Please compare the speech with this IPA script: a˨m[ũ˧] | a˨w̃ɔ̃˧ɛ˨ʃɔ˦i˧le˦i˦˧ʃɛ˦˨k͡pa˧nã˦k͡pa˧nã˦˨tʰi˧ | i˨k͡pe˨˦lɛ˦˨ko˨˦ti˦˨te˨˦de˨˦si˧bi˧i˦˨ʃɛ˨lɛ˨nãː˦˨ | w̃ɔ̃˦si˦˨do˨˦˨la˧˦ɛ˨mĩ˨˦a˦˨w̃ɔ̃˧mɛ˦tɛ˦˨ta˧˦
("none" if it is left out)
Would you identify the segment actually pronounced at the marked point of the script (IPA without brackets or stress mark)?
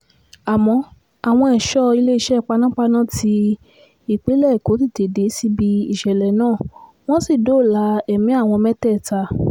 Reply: ɔ̃˧